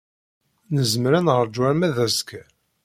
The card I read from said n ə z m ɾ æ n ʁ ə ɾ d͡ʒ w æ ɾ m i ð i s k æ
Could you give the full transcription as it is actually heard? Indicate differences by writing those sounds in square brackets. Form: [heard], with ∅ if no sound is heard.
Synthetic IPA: n ə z m ɾ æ n ʁ ə ɾ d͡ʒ w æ ɾ m [æ] ð [æ] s k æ